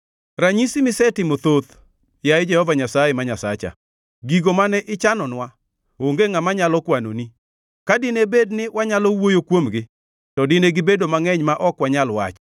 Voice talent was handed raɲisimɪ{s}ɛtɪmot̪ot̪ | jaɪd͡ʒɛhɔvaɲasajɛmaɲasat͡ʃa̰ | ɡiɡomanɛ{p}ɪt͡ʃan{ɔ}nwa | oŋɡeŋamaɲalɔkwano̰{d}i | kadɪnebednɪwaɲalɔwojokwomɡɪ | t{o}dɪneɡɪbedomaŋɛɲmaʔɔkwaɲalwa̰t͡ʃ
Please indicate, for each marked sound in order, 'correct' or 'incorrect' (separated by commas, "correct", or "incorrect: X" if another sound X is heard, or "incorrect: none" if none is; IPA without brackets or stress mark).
correct, incorrect: ʔ, correct, incorrect: n, incorrect: ɔ